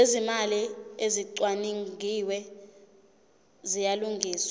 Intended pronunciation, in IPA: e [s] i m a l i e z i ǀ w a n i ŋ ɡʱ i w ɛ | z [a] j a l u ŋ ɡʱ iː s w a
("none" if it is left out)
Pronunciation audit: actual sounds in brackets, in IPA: z, i

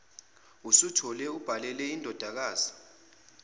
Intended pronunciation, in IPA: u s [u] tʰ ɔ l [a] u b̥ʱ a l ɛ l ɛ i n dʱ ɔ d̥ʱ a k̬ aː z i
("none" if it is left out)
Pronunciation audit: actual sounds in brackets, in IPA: u, ɛ

